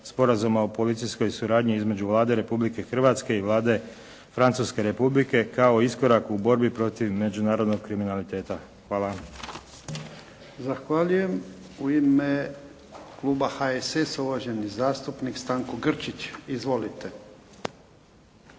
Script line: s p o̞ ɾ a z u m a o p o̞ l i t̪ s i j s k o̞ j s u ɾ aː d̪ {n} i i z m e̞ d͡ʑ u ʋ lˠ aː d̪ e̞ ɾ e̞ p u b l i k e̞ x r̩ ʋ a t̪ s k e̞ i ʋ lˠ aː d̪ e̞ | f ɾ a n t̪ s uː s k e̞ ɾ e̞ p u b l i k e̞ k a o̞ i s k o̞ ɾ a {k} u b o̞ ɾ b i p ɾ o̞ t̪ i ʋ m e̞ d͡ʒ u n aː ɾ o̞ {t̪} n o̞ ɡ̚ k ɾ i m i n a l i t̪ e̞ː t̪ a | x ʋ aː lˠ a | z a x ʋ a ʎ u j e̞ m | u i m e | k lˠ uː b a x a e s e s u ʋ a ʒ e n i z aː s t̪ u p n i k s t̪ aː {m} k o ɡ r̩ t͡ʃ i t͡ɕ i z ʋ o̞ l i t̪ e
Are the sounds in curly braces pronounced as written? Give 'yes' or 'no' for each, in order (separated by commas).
no, yes, no, no